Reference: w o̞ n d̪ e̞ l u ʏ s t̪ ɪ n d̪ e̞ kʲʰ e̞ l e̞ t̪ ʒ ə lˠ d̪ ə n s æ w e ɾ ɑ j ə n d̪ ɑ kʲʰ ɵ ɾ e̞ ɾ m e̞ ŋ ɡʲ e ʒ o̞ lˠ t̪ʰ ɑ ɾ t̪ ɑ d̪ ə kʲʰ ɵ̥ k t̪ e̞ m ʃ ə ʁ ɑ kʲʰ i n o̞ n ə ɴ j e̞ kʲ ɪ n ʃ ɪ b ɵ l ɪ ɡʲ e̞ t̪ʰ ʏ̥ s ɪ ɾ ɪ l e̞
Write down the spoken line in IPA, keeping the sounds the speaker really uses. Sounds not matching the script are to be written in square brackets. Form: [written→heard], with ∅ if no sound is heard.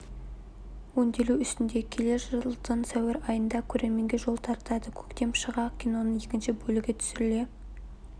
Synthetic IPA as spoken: w o̞ n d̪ e̞ l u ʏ s t̪ ɪ n d̪ e̞ kʲʰ e̞ l e̞ [t̪→∅] ʒ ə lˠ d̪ ə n s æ w e ɾ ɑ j ə n d̪ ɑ kʲʰ ɵ ɾ e̞ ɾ m e̞ ŋ ɡʲ e ʒ o̞ lˠ t̪ʰ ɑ ɾ t̪ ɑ d̪ ə kʲʰ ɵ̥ k t̪ e̞ m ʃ ə ʁ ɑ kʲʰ i n o̞ n ə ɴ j e̞ kʲ ɪ n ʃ ɪ b ɵ l ɪ ɡʲ e̞ t̪ʰ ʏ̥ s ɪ ɾ ɪ l e̞